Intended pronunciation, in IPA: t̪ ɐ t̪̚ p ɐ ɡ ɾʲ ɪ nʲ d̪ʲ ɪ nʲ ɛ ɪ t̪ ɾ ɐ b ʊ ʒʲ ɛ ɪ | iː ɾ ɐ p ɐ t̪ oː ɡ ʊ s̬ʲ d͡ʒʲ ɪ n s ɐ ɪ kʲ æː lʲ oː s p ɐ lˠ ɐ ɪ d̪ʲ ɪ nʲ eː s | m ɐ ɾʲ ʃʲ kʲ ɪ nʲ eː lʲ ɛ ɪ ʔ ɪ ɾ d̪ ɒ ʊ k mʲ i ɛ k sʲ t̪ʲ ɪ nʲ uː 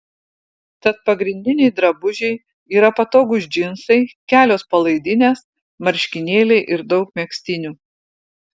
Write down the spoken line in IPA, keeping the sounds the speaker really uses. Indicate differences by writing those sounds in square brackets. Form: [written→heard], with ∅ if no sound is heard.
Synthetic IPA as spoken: t̪ ɐ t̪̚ p ɐ ɡ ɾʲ ɪ nʲ d̪ʲ ɪ nʲ ɛ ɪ [t̪→d̪] ɾ ɐ b ʊ ʒʲ ɛ ɪ | iː ɾ ɐ p ɐ t̪ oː ɡ ʊ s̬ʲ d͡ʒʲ ɪ n s ɐ ɪ kʲ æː lʲ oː s p ɐ lˠ ɐ ɪ d̪ʲ ɪ nʲ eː s | m ɐ ɾʲ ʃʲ kʲ ɪ nʲ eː lʲ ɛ ɪ ʔ ɪ ɾ d̪ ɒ ʊ k mʲ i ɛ k sʲ t̪ʲ ɪ nʲ uː